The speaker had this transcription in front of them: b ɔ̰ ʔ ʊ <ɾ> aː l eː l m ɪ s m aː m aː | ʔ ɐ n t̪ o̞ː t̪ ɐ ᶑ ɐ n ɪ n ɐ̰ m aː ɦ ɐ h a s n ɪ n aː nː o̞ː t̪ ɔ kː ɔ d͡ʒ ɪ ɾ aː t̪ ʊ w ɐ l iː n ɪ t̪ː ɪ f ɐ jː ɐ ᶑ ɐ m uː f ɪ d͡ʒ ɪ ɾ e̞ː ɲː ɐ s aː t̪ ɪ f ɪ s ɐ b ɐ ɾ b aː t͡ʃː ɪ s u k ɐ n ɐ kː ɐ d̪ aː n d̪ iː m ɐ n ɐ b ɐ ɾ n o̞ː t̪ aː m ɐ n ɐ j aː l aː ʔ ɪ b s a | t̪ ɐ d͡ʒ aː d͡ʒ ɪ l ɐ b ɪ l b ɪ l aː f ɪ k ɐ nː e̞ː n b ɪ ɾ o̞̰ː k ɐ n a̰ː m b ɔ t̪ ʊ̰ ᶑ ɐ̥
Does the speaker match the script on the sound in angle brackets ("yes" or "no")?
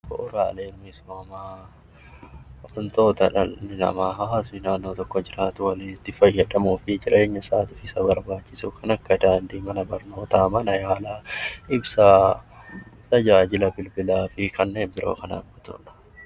yes